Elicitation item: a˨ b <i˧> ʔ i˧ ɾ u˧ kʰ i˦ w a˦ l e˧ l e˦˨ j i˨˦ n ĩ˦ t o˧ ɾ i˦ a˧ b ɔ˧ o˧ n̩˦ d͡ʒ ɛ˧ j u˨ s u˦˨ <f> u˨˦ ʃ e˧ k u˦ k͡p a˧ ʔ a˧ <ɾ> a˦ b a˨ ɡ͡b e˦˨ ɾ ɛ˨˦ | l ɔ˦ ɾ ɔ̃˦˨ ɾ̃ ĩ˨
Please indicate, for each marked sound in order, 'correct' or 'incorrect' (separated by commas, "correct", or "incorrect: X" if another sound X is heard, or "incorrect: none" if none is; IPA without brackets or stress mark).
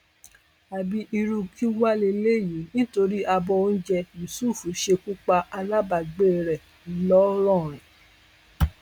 correct, correct, incorrect: l